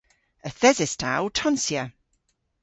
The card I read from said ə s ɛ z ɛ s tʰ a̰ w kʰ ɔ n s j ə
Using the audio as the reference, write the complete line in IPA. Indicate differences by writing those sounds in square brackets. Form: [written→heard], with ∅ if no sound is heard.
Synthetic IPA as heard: ə [s→θ] ɛ z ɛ s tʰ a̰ w [kʰ→tʰ] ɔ n s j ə